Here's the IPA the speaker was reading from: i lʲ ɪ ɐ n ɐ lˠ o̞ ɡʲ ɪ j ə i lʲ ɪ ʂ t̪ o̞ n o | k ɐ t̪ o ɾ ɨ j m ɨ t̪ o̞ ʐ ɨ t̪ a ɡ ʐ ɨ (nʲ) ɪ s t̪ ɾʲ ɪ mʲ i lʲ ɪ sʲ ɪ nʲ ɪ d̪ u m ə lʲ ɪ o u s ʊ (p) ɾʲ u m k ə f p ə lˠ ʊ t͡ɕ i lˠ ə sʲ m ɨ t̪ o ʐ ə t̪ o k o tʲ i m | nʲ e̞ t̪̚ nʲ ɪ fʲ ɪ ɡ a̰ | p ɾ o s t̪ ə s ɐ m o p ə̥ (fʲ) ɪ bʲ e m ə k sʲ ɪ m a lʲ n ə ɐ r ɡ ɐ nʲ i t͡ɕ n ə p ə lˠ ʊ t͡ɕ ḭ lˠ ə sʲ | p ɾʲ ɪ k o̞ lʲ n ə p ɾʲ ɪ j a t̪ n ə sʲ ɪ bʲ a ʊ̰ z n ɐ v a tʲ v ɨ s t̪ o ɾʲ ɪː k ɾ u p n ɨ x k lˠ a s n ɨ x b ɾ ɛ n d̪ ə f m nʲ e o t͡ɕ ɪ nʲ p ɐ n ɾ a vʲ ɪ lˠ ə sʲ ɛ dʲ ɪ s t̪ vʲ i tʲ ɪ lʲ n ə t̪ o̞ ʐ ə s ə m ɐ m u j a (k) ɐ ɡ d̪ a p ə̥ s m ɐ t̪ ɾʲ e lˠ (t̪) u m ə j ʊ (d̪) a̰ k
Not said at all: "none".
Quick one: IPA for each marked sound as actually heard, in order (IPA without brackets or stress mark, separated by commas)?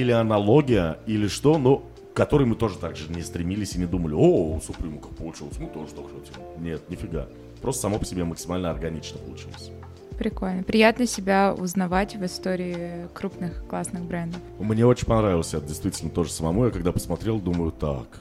nʲ, p, sʲ, k, d̪, t̪